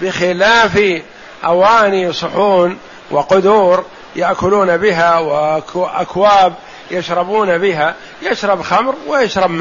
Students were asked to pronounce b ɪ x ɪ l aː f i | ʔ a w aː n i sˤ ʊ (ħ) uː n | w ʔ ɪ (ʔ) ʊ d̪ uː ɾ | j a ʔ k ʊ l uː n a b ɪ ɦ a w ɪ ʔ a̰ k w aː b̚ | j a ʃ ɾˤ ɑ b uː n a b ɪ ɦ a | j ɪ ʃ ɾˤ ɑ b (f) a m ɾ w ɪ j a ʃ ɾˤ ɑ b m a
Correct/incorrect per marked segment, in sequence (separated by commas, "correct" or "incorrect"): correct, incorrect, incorrect